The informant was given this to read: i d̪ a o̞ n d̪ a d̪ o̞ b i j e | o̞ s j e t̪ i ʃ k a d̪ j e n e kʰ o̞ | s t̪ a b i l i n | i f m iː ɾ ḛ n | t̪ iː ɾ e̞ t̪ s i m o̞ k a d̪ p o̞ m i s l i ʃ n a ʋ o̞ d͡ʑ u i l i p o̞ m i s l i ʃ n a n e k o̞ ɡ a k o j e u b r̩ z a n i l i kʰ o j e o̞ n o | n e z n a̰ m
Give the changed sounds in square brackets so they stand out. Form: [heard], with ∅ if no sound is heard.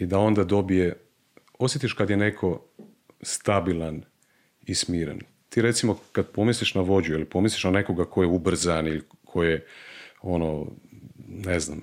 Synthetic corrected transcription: i d̪ a o̞ n d̪ a d̪ o̞ b i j e | o̞ s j e t̪ i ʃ k a d̪ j e n e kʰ o̞ | s t̪ a b i l [a] n | i [s] m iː ɾ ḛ n | t̪ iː ɾ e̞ t̪ s i m o̞ k a d̪ p o̞ m i s l i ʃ n a ʋ o̞ d͡ʑ u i l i p o̞ m i s l i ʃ n a n e k o̞ ɡ a k o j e u b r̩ z a n i l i kʰ o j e o̞ n o | n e z n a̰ m